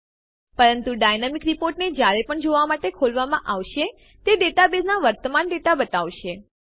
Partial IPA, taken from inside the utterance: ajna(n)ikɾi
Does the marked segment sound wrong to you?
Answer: yes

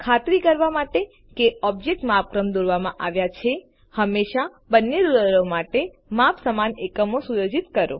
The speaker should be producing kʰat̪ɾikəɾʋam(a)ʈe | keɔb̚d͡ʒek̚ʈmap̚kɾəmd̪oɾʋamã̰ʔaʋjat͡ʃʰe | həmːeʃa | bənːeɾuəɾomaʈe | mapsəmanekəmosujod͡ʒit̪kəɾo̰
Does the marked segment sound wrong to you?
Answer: no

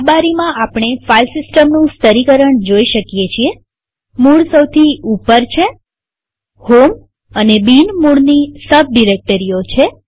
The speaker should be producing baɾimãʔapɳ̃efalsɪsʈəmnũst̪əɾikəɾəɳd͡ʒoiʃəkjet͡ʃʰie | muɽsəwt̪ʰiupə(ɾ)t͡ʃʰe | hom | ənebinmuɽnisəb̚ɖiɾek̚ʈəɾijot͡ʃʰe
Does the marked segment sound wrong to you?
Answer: no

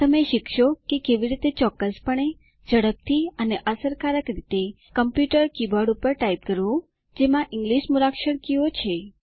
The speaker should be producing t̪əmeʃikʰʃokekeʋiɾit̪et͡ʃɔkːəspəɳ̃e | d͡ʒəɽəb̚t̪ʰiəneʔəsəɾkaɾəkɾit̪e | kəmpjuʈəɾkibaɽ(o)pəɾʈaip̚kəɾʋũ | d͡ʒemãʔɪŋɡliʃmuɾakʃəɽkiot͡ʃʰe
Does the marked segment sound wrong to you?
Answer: yes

